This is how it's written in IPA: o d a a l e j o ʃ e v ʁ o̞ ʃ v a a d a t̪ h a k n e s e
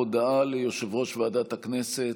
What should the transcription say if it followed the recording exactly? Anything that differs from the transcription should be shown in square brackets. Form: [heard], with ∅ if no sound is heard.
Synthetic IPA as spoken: o d a a l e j o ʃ e v ʁ o̞ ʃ v [e] a d a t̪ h a k n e s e